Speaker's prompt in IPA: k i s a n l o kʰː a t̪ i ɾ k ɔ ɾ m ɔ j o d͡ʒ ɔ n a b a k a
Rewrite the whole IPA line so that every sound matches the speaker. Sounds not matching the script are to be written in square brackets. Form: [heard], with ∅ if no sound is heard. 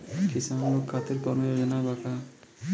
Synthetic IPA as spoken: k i s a n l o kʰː a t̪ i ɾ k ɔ ɾ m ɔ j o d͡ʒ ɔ n a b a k a